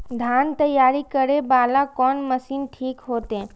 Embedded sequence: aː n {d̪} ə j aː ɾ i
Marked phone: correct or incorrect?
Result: incorrect